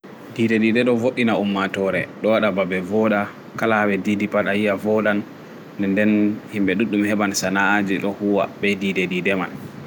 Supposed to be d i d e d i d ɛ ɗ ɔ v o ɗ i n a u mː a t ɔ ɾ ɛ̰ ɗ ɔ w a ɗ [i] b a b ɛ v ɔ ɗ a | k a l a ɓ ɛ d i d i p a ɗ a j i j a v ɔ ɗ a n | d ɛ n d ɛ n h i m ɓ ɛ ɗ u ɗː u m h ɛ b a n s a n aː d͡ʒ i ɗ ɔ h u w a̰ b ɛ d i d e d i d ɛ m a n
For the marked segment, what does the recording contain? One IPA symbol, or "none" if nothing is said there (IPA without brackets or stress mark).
a